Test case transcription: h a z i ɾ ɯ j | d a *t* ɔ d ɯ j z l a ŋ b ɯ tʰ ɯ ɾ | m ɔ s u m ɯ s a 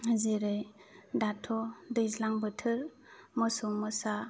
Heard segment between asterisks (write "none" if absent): tʰ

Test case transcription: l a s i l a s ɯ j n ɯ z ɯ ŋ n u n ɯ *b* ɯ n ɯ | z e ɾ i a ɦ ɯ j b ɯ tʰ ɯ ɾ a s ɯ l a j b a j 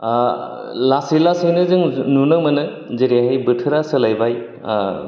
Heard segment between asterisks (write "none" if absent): m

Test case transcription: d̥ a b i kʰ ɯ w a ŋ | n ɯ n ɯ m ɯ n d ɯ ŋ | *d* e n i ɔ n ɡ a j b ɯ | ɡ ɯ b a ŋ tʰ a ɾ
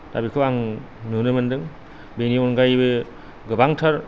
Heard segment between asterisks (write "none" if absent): b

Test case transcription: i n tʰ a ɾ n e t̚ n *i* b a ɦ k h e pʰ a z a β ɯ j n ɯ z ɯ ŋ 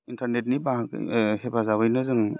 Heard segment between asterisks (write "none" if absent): i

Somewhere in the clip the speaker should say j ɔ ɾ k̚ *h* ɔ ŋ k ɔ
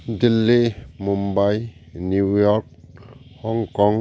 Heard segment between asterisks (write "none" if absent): h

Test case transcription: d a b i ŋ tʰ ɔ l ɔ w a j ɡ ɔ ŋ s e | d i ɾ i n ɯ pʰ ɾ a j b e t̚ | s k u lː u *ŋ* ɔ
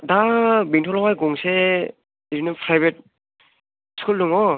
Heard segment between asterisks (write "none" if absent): ŋ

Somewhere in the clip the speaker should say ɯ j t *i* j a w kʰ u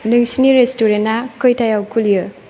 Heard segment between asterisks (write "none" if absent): a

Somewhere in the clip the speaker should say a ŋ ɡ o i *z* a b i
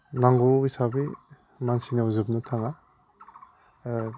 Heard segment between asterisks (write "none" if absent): s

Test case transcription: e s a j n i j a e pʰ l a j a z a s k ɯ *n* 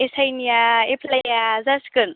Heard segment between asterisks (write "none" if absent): n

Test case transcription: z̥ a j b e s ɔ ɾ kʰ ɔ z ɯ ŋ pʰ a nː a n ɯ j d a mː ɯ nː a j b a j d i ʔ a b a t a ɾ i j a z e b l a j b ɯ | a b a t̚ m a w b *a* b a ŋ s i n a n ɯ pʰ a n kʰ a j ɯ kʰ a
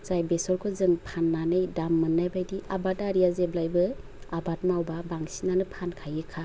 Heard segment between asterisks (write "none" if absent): a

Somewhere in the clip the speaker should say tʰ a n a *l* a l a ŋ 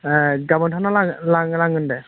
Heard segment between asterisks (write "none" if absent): l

